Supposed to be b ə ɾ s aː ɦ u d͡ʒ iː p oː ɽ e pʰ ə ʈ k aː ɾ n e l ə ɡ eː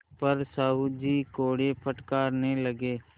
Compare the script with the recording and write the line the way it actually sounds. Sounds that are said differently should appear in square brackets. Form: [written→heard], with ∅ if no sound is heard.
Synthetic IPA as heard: [b→p] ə ɾ s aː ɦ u d͡ʒ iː [p→k] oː ɽ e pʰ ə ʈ k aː ɾ n e l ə ɡ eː